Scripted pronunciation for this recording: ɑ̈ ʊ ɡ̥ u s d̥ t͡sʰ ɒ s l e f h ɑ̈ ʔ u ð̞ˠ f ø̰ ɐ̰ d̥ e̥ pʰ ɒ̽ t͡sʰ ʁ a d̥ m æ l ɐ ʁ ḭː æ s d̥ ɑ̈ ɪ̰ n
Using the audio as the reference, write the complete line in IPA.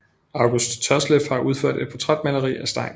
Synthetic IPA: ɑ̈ ʊ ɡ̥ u s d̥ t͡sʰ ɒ s l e f h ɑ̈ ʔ u ð̞ˠ f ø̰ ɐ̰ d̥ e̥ pʰ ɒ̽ t͡sʰ ʁ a d̥ m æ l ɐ ʁ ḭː æ s d̥ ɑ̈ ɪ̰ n

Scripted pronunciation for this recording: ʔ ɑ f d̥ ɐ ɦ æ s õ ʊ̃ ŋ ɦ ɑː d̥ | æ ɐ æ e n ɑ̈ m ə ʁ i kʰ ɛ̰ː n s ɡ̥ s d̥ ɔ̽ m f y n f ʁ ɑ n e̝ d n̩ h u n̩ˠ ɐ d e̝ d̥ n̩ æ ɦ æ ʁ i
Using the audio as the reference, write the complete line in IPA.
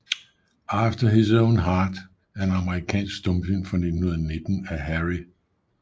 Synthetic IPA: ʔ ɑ f d̥ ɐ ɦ i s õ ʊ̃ n ɦ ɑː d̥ | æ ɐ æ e n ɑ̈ m ə ʁ i kʰ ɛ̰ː n s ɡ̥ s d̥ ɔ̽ m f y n f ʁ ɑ n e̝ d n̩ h u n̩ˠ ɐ n e̝ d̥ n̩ æ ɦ æ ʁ i

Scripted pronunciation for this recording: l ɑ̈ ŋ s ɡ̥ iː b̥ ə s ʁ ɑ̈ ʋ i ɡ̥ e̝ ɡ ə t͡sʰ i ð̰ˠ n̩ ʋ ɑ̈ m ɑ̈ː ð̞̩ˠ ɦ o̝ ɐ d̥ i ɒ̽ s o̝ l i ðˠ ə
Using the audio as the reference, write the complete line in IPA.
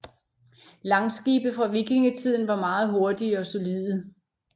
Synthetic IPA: l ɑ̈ ŋ s ɡ̥ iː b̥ ə f ʁ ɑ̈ ʋ i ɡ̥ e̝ ŋ ə t͡sʰ i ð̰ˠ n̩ ʋ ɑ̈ m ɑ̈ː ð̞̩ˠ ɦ o̝ ɐ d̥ i ɒ̽ s o̝ l i ðˠ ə

